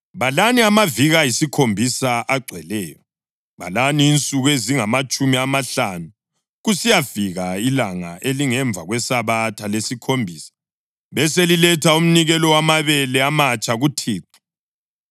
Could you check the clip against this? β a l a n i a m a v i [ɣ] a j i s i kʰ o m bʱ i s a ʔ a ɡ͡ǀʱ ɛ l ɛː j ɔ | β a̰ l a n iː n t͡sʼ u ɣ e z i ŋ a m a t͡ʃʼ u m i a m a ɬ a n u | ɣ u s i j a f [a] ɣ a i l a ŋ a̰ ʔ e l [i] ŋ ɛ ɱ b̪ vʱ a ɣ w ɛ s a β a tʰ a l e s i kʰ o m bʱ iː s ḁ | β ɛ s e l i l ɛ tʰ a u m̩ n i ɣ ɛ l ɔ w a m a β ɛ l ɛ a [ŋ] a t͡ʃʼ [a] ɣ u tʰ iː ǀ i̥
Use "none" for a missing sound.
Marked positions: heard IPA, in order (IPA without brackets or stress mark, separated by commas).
ɣ, i, i, m, a